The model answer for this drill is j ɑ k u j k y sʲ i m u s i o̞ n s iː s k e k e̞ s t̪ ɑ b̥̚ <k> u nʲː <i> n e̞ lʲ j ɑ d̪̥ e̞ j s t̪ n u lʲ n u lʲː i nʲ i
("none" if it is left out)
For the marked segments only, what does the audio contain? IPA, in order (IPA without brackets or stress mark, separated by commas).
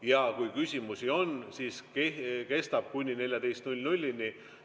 k, i